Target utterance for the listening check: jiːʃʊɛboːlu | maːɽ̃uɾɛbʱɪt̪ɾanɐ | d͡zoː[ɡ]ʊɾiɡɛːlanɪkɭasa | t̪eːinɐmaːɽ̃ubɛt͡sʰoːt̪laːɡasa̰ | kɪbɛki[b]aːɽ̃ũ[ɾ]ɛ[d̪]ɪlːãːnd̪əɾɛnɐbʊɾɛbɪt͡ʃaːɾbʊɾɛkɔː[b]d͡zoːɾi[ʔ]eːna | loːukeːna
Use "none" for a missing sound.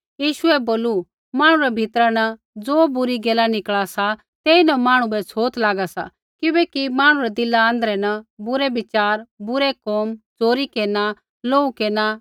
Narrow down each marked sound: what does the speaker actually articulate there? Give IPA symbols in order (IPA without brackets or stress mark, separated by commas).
b, m, ɾ, d̪, m, k